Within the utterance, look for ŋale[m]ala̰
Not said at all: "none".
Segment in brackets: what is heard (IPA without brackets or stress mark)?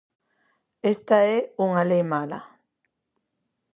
m